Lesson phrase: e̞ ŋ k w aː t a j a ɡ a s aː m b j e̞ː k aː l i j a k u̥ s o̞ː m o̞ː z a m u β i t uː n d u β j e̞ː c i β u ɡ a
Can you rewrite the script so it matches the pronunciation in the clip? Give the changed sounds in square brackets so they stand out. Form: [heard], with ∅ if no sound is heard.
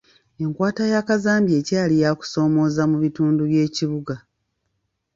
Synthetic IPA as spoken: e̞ ŋ k w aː t a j a [k] a [z] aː m b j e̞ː [c] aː l i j a k u̥ s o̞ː m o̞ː z a m u β i t uː n d u β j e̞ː c i β u ɡ a